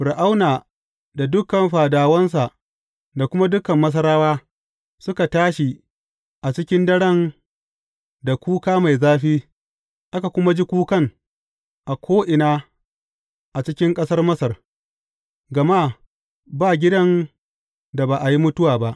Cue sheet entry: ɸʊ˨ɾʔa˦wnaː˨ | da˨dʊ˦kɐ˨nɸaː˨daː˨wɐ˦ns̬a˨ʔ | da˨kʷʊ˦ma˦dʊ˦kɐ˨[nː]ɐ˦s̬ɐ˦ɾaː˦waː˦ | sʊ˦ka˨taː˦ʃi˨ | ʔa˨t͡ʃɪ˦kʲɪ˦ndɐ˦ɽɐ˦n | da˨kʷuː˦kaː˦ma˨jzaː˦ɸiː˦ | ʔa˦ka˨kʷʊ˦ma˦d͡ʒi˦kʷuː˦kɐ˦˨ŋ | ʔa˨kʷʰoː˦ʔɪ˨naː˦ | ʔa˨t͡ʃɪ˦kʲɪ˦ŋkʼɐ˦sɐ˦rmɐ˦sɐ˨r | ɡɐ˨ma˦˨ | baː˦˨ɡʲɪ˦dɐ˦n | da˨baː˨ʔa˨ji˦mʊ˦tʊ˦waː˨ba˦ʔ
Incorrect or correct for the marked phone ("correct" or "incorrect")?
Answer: incorrect